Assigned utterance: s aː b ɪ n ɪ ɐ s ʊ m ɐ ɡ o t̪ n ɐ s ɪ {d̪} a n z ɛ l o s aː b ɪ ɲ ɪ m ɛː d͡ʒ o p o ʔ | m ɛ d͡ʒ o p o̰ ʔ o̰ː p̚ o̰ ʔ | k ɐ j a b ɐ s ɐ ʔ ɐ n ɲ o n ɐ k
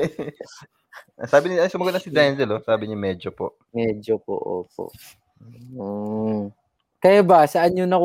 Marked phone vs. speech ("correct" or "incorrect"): correct